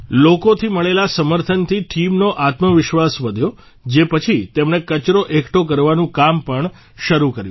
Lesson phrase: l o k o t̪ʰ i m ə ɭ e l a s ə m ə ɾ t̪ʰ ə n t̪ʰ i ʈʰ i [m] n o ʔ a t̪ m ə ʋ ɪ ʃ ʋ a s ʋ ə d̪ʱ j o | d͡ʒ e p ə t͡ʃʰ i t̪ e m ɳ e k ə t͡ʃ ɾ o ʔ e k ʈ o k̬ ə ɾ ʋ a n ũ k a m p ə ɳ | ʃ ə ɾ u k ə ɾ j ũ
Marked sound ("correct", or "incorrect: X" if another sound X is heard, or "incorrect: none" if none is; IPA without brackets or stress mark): correct